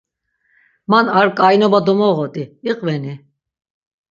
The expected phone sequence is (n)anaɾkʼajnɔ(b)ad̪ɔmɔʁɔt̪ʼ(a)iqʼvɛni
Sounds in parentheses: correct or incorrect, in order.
incorrect: m, correct, incorrect: i

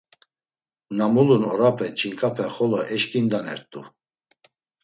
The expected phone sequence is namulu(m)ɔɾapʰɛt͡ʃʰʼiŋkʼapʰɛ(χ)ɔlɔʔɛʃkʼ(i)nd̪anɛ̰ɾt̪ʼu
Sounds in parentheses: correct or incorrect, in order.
incorrect: n, correct, correct

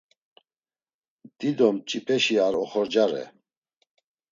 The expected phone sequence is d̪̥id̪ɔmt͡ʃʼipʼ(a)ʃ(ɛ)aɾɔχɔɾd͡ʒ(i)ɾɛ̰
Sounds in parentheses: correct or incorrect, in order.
incorrect: ɛ, incorrect: i, incorrect: a

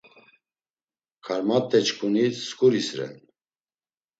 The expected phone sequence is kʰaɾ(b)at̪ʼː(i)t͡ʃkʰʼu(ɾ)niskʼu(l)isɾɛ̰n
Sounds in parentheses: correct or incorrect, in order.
incorrect: m, incorrect: ɛ, incorrect: none, incorrect: ɾ

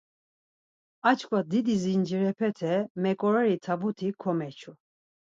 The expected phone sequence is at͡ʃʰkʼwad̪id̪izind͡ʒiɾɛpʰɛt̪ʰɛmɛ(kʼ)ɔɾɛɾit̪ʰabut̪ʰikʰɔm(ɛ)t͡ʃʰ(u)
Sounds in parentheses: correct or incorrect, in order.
correct, correct, correct

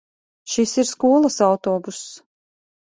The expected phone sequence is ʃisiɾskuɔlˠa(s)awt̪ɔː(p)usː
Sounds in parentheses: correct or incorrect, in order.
correct, incorrect: b

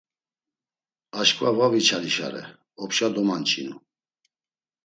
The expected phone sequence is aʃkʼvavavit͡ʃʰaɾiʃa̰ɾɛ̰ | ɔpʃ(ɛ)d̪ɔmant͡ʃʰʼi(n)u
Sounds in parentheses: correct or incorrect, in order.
incorrect: a, correct

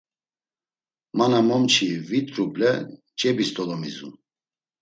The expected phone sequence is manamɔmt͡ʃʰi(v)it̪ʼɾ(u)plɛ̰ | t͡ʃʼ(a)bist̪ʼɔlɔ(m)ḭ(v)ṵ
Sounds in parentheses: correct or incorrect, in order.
correct, correct, incorrect: ɛ, correct, incorrect: z

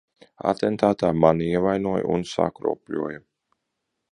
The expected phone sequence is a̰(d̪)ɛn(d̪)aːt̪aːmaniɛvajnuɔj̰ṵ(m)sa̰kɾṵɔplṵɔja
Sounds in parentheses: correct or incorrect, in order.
incorrect: t̪, incorrect: t̪, incorrect: n

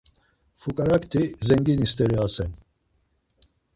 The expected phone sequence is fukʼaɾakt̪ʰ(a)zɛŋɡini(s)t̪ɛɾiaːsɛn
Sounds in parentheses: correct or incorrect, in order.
incorrect: i, correct

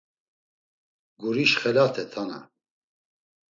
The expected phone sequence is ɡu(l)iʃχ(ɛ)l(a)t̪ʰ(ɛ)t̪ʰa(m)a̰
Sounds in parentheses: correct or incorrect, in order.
incorrect: ɾ, correct, correct, correct, incorrect: n

